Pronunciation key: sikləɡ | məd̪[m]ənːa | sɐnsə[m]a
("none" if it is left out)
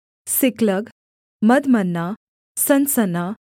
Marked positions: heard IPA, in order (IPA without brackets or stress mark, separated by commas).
m, n